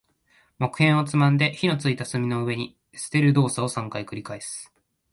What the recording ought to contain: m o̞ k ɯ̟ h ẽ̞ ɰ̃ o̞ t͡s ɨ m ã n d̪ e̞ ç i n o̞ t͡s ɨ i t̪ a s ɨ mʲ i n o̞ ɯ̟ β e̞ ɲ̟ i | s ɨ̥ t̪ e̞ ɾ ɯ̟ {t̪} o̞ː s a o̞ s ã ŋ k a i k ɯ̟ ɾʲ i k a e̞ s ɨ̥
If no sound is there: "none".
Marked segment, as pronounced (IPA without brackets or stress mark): d̪